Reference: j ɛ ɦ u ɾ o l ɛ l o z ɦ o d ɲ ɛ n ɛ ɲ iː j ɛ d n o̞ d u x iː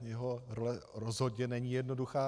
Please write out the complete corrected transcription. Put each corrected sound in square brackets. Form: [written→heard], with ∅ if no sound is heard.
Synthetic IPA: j ɛ ɦ [u→o] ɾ o l ɛ [l→ɾ] o z ɦ o d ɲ ɛ n ɛ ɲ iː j ɛ d n o̞ d u x [iː→aː]